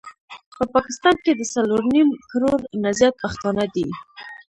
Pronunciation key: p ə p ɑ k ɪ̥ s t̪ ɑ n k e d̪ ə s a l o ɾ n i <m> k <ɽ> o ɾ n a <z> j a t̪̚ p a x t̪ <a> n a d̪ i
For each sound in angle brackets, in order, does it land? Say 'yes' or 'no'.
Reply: yes, no, yes, no

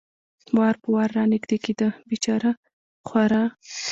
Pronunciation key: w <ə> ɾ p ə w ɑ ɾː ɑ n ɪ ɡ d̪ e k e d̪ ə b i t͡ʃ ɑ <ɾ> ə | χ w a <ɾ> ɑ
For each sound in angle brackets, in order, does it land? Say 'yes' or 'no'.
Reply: no, yes, yes

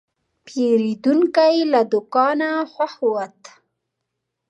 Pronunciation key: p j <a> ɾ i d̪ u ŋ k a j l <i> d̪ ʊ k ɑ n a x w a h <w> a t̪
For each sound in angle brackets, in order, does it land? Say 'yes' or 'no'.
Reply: no, no, yes

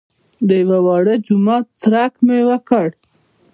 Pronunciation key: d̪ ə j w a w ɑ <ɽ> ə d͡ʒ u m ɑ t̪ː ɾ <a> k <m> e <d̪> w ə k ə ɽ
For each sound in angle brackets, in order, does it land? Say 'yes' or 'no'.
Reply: yes, yes, yes, no

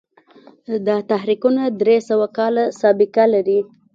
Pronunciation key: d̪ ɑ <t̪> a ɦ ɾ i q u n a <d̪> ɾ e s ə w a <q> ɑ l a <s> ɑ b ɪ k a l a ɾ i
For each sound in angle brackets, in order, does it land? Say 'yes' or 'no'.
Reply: yes, yes, no, yes

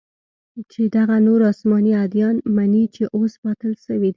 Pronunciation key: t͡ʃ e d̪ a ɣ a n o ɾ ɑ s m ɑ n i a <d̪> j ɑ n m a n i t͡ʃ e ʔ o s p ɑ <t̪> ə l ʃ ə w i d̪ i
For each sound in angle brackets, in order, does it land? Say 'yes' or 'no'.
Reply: yes, yes

